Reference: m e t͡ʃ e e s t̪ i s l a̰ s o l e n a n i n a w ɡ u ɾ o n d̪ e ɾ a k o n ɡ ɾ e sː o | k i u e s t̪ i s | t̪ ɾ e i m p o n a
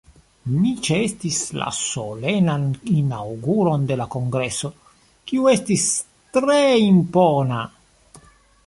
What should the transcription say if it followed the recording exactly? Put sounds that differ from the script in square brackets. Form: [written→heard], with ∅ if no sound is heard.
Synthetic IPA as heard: m [e→i] t͡ʃ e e s t̪ i s l a̰ s o l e n a n i n a w ɡ u ɾ o n d̪ e [ɾ→l] a k o [n→ŋ] ɡ ɾ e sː o | k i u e s t̪ i s | t̪ ɾ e i m p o n a

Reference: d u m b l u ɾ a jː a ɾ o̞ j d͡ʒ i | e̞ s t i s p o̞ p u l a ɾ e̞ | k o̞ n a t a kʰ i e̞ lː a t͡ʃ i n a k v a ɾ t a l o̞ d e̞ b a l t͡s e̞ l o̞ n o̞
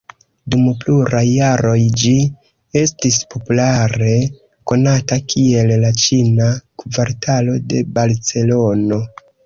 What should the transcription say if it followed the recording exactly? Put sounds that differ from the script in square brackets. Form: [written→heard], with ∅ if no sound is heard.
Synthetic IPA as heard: d u m [b→p] l u ɾ a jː a ɾ o̞ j d͡ʒ i | e̞ s t i s p o̞ p u l a ɾ e̞ | k o̞ n a t a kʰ i e̞ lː a t͡ʃ i n a k v a ɾ t a l o̞ d e̞ b a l t͡s e̞ l o̞ n o̞

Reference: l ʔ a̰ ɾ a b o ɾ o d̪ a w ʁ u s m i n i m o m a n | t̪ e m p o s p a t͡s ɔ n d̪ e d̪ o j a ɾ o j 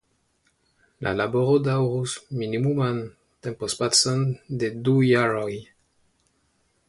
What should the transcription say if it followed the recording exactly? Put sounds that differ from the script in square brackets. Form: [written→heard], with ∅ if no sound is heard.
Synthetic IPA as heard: l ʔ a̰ [ɾ→l] a b o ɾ o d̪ a w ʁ u s m i n i m [o→u] m a n | t̪ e m p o s p a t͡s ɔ n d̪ e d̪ [o→u] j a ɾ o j

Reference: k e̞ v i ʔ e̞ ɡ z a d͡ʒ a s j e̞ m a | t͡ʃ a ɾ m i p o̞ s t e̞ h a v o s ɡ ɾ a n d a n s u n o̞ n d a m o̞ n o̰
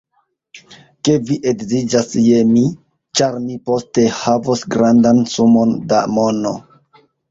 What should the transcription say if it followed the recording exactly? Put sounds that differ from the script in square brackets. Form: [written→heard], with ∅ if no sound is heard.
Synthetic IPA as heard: k e̞ v i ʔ e̞ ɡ z [a→i] d͡ʒ a s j e̞ m [a→i] | t͡ʃ a ɾ m i p o̞ s t e̞ h a v o s ɡ ɾ a n d a n s u [n→m] o̞ n d a m o̞ n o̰

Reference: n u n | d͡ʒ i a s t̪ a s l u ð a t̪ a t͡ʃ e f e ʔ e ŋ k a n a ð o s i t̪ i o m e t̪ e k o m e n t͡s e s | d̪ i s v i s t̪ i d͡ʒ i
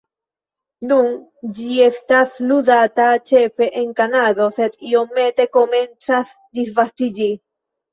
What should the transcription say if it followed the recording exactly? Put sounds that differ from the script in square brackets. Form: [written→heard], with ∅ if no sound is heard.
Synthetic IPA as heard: n u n | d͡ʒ i [a→e] s t̪ a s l u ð a t̪ a t͡ʃ e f e ʔ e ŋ k a n a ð o s [i→e] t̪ i o m e t̪ e k o m e n t͡s [e→a] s | d̪ i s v [i→a] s t̪ i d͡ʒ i

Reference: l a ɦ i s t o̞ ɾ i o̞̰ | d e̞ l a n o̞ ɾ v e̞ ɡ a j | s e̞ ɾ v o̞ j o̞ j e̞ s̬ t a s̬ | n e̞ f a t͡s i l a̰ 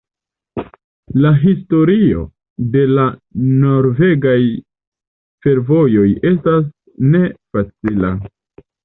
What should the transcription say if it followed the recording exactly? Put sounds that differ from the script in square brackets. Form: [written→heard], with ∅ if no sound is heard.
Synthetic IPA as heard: l a ɦ i s t o̞ ɾ i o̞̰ | d e̞ l a n o̞ ɾ v e̞ ɡ a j | [s→f] e̞ ɾ v o̞ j o̞ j e̞ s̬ t a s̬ | n e̞ f a t͡s i l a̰

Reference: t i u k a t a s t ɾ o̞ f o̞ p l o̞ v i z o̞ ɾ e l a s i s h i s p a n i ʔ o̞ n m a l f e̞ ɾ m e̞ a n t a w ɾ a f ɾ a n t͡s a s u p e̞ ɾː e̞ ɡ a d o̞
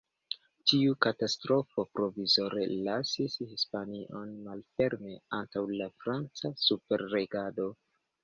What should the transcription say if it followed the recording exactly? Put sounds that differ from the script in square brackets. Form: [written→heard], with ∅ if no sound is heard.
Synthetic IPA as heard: t i u k a t a s t ɾ o̞ f o̞ p [l→ɾ] o̞ v i z o̞ ɾ e l a s i s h i s p a n i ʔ o̞ n m a l f e̞ ɾ m e̞ a n t a w [ɾ→l] a f ɾ a n t͡s a s u p e̞ ɾː e̞ ɡ a d o̞

